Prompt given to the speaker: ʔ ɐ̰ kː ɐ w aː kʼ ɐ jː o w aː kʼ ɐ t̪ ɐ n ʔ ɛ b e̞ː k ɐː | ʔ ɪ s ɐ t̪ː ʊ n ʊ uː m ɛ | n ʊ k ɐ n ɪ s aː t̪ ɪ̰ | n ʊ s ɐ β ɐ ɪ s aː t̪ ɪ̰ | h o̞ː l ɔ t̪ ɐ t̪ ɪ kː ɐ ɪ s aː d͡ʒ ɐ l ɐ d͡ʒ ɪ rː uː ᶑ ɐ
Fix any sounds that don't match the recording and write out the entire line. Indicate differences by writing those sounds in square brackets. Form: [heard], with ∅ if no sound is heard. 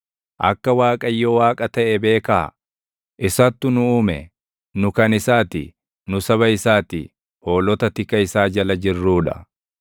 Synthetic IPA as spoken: ʔ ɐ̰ kː ɐ w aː kʼ ɐ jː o w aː kʼ ɐ t̪ ɐ [∅] ʔ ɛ b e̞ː k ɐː | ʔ ɪ s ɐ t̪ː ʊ n ʊ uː m ɛ | n ʊ k ɐ n ɪ s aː t̪ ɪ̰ | n ʊ s ɐ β ɐ ɪ s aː t̪ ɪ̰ | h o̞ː l ɔ t̪ ɐ t̪ ɪ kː ɐ ɪ s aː d͡ʒ ɐ l ɐ d͡ʒ ɪ rː uː ᶑ ɐ